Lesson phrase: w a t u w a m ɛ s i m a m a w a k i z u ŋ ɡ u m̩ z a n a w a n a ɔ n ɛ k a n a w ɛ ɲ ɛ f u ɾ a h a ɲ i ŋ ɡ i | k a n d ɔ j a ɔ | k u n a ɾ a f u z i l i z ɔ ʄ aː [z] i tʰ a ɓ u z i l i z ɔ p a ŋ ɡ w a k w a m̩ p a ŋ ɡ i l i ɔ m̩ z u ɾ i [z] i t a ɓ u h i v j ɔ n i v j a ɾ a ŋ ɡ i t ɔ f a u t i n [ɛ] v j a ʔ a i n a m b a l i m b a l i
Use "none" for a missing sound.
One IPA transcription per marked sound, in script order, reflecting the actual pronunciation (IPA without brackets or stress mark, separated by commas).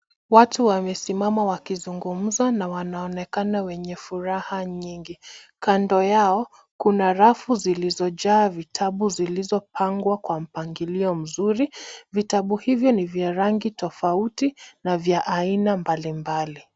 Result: v, v, a